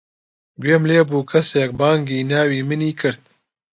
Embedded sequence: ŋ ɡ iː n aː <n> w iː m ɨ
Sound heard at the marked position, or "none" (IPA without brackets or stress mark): none